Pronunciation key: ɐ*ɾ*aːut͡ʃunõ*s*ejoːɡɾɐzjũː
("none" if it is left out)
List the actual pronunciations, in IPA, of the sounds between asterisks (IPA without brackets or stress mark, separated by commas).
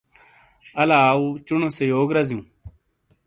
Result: l, s